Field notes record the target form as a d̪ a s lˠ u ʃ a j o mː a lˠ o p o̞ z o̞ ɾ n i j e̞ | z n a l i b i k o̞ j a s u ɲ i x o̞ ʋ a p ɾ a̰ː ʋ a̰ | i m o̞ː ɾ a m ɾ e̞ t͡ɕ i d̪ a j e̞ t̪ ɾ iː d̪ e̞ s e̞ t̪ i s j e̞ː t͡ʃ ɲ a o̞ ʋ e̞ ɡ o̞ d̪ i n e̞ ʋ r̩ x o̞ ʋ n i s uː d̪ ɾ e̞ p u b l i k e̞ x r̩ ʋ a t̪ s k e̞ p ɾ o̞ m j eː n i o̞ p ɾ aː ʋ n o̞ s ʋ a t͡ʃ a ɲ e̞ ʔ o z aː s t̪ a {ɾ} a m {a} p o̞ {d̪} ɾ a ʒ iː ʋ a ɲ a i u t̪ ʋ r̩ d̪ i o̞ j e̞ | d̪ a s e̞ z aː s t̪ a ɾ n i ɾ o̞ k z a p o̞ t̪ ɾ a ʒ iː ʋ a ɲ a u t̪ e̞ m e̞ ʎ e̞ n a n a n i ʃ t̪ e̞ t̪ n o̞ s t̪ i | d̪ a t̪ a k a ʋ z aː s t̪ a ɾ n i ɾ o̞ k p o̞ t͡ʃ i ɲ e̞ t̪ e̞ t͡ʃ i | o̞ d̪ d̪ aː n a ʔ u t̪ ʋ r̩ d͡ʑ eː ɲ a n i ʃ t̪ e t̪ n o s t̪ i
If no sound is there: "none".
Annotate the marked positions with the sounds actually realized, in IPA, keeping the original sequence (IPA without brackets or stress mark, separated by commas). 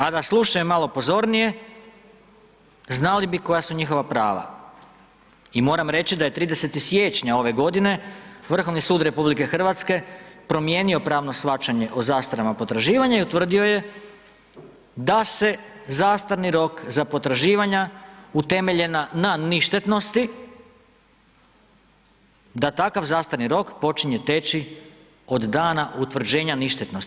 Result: ɾ, a, t̪